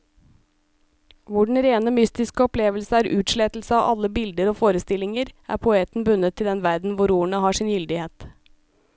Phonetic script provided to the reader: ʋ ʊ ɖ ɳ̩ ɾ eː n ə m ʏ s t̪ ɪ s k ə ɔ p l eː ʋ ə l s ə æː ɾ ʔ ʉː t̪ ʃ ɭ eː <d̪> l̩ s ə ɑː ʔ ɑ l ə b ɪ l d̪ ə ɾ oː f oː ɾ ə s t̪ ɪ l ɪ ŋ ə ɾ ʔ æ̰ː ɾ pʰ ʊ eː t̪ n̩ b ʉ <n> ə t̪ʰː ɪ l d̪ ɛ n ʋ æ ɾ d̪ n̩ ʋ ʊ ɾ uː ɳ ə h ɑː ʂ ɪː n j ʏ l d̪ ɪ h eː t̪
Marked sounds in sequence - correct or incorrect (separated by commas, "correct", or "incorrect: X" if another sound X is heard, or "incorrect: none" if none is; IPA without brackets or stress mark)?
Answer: incorrect: t̪, correct